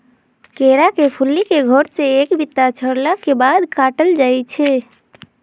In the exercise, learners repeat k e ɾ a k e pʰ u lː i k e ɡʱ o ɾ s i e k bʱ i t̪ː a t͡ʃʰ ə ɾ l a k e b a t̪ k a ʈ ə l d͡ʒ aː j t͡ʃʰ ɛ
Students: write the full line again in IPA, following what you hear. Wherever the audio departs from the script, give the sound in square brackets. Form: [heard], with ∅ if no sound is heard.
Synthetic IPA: k e ɾ a k e pʰ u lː i k e ɡʱ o ɾ s [e] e k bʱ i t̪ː a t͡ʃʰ ə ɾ l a k e b a [d̪] k a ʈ ə l d͡ʒ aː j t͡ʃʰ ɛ